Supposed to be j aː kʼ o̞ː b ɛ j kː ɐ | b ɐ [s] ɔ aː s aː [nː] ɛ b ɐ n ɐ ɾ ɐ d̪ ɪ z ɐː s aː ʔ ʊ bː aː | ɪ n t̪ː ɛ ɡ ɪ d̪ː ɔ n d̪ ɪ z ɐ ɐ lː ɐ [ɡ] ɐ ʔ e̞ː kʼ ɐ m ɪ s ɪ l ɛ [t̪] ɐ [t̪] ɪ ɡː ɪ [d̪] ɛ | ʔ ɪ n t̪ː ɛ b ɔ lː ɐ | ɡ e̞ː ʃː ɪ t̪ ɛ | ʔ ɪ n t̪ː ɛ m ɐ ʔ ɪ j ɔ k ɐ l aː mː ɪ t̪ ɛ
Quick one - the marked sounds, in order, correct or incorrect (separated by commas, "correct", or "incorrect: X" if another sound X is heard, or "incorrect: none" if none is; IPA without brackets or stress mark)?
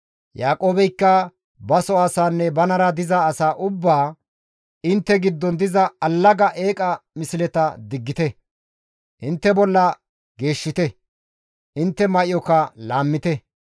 correct, correct, correct, correct, incorrect: d̪, incorrect: t̪